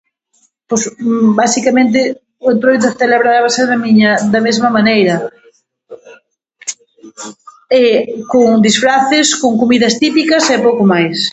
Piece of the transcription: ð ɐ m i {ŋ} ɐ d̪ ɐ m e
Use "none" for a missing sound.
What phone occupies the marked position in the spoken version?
ɲ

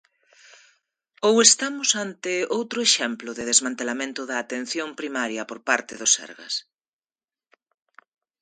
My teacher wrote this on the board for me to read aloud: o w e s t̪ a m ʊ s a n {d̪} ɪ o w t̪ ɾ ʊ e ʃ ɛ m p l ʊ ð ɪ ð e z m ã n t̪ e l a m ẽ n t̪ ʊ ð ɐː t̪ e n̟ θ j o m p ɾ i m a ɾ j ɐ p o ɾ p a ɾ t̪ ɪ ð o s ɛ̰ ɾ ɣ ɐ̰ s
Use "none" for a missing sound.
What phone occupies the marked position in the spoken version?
t̪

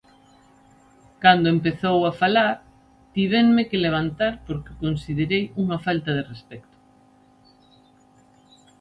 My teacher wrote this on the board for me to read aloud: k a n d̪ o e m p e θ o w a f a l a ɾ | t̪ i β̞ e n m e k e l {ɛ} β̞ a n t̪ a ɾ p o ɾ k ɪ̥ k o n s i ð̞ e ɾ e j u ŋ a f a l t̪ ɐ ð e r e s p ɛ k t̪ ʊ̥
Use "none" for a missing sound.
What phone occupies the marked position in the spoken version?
e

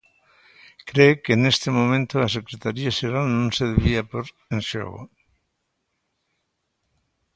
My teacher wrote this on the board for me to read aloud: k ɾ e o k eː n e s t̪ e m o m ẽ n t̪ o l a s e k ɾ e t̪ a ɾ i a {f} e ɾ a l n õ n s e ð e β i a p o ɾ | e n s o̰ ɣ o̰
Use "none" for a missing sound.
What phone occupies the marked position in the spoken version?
ʃ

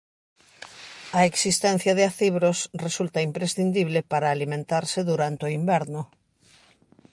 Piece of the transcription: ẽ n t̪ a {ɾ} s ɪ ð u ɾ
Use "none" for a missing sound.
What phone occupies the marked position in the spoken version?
ɾ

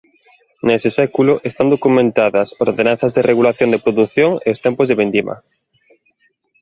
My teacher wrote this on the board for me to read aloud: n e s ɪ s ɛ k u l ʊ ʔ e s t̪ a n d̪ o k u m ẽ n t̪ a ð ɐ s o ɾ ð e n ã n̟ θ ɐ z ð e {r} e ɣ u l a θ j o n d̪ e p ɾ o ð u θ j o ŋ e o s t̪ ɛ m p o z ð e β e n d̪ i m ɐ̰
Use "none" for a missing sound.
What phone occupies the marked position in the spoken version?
r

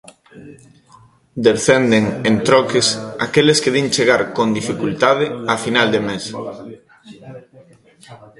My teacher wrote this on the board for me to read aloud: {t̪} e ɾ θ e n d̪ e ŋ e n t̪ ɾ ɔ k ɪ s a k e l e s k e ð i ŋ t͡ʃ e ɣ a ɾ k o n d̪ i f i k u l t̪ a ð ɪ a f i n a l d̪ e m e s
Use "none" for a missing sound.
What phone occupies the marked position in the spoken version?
d̪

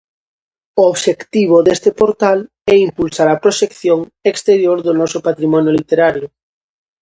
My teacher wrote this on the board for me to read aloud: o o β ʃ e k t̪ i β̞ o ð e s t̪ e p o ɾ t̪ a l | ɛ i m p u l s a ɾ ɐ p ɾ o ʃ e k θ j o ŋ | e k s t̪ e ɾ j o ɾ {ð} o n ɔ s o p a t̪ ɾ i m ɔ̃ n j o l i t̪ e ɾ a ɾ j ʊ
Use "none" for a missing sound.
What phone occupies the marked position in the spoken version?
ð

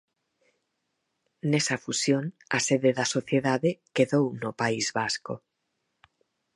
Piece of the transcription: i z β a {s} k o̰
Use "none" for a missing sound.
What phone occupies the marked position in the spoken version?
s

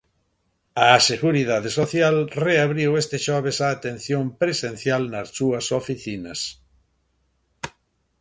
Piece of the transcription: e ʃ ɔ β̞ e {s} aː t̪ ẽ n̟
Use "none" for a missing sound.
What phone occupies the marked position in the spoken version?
s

